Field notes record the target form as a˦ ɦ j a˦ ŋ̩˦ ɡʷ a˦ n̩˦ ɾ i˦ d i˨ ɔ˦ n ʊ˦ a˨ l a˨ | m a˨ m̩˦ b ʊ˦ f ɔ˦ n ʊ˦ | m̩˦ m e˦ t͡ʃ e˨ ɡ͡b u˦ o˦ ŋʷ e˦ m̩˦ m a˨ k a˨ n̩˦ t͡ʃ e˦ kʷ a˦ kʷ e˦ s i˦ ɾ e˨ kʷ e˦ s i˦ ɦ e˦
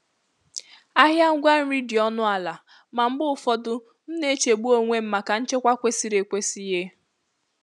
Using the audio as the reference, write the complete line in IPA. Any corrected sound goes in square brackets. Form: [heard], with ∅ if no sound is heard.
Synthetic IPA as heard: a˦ ɦ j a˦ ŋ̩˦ ɡʷ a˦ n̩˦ ɾ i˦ d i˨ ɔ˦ n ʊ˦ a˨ l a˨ | m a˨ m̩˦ b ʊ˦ f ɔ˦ [d] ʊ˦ | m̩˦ [n] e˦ t͡ʃ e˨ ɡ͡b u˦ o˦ ŋʷ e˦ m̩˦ m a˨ k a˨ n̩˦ t͡ʃ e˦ kʷ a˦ kʷ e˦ s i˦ ɾ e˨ kʷ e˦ s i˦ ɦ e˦